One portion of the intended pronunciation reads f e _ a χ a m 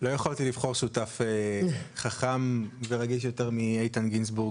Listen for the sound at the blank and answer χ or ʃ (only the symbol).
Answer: χ